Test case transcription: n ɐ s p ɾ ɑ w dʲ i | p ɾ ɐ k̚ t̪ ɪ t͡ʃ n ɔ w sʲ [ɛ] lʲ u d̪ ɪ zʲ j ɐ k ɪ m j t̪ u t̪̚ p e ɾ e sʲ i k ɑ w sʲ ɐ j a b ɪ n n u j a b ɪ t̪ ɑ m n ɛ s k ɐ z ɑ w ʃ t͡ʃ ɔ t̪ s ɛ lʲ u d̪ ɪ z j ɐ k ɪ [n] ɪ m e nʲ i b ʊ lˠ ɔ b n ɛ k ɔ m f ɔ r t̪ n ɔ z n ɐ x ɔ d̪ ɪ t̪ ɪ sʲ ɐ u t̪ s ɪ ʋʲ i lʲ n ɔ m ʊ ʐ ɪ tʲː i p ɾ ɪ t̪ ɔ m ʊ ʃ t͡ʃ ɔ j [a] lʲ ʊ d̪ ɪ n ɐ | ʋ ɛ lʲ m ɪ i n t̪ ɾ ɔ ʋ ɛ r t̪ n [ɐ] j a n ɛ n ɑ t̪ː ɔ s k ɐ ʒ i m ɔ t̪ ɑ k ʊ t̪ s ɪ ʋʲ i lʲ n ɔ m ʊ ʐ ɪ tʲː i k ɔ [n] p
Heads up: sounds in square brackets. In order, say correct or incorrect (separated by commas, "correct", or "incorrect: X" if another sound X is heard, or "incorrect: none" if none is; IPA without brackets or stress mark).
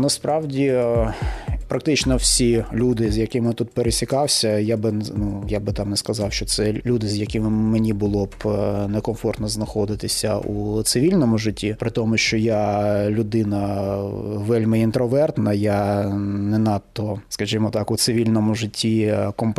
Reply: incorrect: i, incorrect: m, correct, correct, incorrect: m